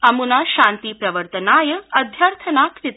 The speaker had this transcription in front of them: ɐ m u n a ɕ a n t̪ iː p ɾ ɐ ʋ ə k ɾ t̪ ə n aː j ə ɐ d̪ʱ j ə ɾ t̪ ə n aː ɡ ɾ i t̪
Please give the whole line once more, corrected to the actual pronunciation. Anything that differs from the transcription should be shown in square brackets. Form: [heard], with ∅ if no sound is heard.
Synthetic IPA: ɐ m u n a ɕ a n t̪ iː p ɾ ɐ ʋ ə [∅] ɾ t̪ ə n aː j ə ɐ d̪ʱ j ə ɾ [t̪ʰ] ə n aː [k] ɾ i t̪

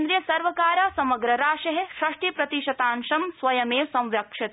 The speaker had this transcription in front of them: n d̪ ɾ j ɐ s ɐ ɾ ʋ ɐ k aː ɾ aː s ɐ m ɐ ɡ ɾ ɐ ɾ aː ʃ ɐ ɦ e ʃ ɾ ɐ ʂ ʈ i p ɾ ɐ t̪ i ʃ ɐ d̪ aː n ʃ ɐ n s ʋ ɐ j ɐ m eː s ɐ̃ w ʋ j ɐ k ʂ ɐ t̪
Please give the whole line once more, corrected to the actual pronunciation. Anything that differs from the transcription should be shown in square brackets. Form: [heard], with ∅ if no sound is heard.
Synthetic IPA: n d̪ ɾ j ɐ s ɐ ɾ ʋ ɐ k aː ɾ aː s ɐ m ɐ ɡ ɾ ɐ ɾ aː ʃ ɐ ɦ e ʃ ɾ ɐ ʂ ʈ i p ɾ ɐ t̪ i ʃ ɐ [t̪] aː n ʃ ɐ [m] s ʋ ɐ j ɐ m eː s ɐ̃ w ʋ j ɐ k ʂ ɐ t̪

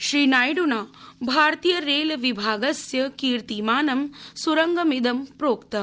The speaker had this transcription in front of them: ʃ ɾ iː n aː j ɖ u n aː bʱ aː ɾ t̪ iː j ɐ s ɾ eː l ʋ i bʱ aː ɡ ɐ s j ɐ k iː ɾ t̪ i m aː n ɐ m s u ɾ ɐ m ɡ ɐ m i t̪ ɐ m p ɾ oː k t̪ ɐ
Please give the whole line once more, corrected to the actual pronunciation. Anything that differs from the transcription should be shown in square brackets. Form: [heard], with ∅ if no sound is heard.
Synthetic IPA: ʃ ɾ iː n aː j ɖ u n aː bʱ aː ɾ t̪ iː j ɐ [∅] ɾ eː l ʋ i bʱ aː ɡ ɐ s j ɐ k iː ɾ t̪ i m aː n ɐ m s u ɾ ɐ [ŋ] ɡ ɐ m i [d̪] ɐ m p ɾ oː k t̪ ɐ

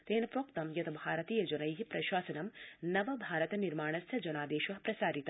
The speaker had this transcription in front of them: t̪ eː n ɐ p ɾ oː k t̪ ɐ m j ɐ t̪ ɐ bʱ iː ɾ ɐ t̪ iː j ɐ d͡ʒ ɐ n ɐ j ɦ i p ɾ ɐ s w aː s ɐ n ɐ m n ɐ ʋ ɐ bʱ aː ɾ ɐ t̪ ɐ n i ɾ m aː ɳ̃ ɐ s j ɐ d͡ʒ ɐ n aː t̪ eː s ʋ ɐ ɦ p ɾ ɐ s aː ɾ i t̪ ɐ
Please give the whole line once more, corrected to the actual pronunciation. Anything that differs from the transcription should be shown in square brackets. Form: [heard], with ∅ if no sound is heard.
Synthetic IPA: t̪ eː n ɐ p ɾ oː k t̪ ɐ m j ɐ t̪ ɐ bʱ [aː] ɾ ɐ t̪ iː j ɐ d͡ʒ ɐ n ɐ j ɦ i p ɾ ɐ [ʃ] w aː s ɐ n ɐ m n ɐ ʋ ɐ bʱ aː ɾ ɐ t̪ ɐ n i ɾ m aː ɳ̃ ɐ s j ɐ d͡ʒ ɐ n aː [d̪] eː [ʃ] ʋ ɐ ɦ p ɾ ɐ s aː ɾ i t̪ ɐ

